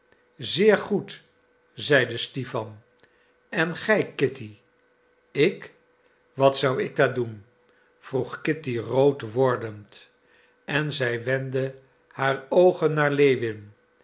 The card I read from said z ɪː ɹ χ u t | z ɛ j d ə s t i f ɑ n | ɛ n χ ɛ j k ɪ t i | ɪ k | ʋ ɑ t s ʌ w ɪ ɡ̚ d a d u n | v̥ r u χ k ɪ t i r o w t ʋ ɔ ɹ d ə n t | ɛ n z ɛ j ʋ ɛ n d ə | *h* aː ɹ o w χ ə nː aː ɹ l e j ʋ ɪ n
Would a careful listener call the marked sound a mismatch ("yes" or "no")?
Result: no